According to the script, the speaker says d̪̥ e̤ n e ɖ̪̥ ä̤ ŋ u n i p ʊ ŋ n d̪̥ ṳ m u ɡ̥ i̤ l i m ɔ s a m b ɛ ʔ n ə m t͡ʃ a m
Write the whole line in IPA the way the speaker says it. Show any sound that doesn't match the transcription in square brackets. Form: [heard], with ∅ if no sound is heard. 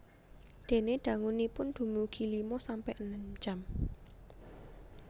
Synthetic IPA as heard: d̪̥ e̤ n e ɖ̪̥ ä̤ ŋ u n i p ʊ [∅] n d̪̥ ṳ m u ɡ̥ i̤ l i m ɔ s a m [p] ɛ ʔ n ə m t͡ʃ a m